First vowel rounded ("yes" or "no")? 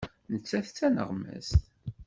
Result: no